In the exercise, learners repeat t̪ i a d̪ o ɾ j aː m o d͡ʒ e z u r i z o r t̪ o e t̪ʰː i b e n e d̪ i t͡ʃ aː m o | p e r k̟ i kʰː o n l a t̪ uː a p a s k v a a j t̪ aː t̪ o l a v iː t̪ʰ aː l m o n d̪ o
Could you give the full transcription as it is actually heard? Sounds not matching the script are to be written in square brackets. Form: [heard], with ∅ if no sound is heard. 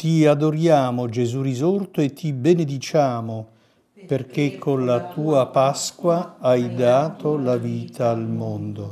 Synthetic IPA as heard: t̪ i a d̪ o ɾ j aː m o d͡ʒ e z u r i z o r t̪ o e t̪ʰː i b e n e d̪ i t͡ʃ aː m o | p e r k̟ [e] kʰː o n l a t̪ uː a p a s k [w] a a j [d̪] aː t̪ o l a v iː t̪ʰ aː l m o n d̪ o

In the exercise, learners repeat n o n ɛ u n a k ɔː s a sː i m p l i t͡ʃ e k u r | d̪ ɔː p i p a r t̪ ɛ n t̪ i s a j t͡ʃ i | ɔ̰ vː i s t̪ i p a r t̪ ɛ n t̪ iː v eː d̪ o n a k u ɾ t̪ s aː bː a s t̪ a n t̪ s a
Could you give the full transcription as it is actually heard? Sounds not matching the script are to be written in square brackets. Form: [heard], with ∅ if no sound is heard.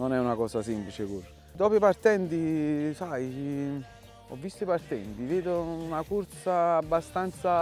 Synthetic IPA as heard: n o n ɛ u n a k ɔː s a [s] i m p l i t͡ʃ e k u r | d̪ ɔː p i p a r t̪ ɛ n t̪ i s a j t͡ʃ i | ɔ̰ vː i s t̪ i p a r t̪ ɛ n t̪ [i] v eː d̪ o n a k u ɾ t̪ s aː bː a s t̪ a n t̪ s a

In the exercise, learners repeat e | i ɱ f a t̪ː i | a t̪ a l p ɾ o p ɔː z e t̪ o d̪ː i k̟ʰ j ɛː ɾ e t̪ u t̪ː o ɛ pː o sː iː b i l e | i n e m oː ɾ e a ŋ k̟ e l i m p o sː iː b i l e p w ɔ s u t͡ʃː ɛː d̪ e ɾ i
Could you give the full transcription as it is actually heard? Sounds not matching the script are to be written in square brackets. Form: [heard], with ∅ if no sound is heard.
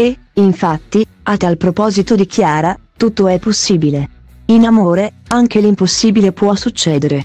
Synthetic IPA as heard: e | i ɱ f a t̪ː i | a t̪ a l p ɾ o p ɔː z [i] t̪ o [d̪] i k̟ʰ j [aː] ɾ [a] t̪ u t̪ː o ɛ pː o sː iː b i l e | i n [a] m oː ɾ e a ŋ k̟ e l i m p o sː iː b i l e p w ɔ s u t͡ʃː ɛː d̪ e ɾ [e]

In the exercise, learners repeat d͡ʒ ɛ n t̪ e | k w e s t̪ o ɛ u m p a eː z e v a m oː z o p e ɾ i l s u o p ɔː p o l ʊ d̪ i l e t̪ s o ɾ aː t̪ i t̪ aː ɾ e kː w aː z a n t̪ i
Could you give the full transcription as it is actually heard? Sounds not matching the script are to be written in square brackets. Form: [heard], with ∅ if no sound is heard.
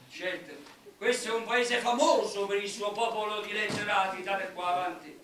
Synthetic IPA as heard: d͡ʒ ɛ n t̪ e | k w e s t̪ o ɛ u m p a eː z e [f] a m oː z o p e ɾ i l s u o p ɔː p o l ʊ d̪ i l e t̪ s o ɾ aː t̪ i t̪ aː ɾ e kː w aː [v] a n t̪ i

